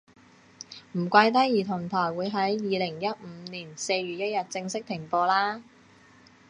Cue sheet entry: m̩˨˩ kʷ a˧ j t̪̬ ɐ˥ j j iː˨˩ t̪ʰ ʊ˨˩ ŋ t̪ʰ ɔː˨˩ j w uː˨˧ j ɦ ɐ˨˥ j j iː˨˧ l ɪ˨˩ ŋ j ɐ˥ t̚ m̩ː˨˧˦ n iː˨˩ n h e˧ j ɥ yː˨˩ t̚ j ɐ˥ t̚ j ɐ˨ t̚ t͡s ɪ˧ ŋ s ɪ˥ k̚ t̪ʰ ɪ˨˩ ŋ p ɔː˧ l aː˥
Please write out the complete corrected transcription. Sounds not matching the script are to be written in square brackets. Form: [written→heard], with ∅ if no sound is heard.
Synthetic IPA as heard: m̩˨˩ kʷ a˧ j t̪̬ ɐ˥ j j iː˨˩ t̪ʰ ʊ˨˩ ŋ t̪ʰ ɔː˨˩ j w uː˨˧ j ɦ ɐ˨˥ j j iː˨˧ l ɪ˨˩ ŋ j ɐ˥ t̚ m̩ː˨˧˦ n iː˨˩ n [h→s] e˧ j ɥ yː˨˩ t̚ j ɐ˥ t̚ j ɐ˨ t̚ t͡s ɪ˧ ŋ s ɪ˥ k̚ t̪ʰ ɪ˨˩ ŋ p ɔː˧ l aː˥

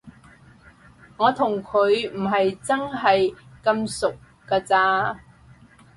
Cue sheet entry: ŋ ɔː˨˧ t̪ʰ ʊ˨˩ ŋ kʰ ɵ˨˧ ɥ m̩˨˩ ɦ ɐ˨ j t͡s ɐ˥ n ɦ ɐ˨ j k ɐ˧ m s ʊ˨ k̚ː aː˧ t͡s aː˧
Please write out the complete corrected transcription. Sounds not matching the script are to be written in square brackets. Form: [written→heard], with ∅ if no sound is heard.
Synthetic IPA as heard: ŋ ɔː˨˧ t̪ʰ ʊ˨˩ ŋ kʰ ɵ˨˧ ɥ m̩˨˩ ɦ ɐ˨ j t͡s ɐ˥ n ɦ ɐ˨ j k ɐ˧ m s ʊ˨ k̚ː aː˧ t͡s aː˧

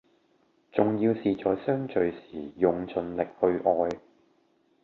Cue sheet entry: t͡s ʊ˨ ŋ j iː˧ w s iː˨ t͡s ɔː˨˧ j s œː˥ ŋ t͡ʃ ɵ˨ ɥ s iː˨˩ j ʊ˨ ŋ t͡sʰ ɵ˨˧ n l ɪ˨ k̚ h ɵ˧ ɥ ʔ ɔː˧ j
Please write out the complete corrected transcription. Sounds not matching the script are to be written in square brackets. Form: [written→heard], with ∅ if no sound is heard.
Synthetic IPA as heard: t͡s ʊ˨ ŋ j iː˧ w s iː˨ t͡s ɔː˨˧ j s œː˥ ŋ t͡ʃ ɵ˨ ɥ s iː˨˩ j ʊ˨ ŋ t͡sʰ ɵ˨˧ n l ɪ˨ k̚ h ɵ˧ ɥ ʔ ɔː˧ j

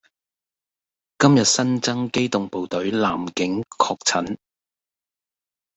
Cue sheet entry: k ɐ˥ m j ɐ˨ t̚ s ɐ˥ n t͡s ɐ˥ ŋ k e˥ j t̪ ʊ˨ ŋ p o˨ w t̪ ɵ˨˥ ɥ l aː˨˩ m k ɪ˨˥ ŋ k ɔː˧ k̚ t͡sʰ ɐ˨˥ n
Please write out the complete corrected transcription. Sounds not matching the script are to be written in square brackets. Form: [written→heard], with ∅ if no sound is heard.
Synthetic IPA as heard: k ɐ˥ m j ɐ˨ t̚ s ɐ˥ n t͡s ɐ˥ ŋ k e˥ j t̪ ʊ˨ ŋ p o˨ w t̪ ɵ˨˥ ɥ l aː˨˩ m k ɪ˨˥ ŋ [k→kʰ] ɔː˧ k̚ t͡sʰ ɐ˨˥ n

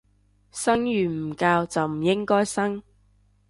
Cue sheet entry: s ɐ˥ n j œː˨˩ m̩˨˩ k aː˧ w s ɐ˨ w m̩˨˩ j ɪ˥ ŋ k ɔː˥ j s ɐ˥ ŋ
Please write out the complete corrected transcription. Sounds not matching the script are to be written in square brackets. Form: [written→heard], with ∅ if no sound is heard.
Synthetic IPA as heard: s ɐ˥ [n→ŋ] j [œː˨˩→yː˨˩] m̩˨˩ k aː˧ w [s→t͡s] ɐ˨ w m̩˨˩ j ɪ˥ ŋ k ɔː˥ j s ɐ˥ ŋ

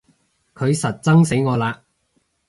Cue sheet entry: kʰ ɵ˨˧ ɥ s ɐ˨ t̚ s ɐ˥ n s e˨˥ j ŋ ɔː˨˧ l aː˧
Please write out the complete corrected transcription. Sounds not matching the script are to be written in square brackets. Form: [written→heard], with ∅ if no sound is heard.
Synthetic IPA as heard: kʰ ɵ˨˧ ɥ s ɐ˨ t̚ [s→t͡s] ɐ˥ [n→ŋ] s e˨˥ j ŋ ɔː˨˧ l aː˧

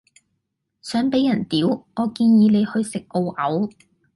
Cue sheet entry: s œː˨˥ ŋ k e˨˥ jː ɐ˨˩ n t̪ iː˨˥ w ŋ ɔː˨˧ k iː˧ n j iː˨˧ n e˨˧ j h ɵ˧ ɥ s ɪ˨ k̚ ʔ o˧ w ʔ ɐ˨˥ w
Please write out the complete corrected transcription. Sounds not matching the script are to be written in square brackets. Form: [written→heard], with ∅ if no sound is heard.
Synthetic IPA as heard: s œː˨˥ ŋ [k→p] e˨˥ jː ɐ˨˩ n t̪ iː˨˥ w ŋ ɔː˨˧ k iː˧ n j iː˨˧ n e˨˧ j h ɵ˧ ɥ s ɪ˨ k̚ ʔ o˧ w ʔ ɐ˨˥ w

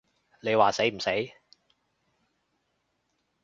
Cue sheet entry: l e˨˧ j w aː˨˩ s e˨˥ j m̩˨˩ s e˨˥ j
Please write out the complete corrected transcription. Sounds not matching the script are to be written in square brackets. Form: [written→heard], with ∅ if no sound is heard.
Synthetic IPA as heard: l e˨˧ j w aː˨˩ s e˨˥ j m̩˨˩ s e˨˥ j

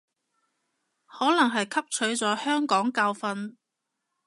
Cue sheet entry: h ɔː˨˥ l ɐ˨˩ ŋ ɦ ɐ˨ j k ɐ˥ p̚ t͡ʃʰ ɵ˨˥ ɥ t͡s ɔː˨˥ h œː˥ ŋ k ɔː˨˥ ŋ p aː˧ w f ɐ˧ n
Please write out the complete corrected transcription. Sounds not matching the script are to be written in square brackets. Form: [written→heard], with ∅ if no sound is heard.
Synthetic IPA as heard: h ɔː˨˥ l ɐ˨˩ ŋ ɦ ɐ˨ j [k→kʰ] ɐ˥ p̚ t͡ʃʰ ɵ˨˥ ɥ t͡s ɔː˨˥ h œː˥ ŋ k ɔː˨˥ ŋ [p→k] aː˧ w f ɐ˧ n

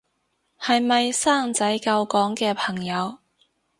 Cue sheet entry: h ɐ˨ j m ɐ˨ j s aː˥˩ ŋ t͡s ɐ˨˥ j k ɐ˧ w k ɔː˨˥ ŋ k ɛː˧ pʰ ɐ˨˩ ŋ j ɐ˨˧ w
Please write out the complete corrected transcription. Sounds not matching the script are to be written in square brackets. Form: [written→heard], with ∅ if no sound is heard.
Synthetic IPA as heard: h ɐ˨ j m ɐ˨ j s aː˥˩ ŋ t͡s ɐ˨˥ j k ɐ˧ w k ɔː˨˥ ŋ k ɛː˧ pʰ ɐ˨˩ ŋ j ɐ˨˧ w

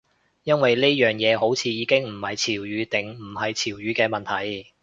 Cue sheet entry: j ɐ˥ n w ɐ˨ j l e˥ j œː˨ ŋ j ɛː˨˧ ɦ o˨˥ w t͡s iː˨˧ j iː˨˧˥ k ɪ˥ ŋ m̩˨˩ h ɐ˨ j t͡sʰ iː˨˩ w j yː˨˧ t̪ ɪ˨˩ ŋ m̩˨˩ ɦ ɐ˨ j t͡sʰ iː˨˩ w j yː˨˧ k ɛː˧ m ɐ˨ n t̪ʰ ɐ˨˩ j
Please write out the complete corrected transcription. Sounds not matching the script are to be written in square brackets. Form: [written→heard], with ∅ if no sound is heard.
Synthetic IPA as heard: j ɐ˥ n w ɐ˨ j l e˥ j œː˨ ŋ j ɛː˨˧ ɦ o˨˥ w [t͡s→t͡sʰ] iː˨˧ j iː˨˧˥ k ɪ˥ ŋ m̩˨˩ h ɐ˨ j t͡sʰ iː˨˩ w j yː˨˧ t̪ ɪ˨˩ ŋ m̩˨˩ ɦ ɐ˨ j t͡sʰ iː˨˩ w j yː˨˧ k ɛː˧ m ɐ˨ n t̪ʰ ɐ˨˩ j

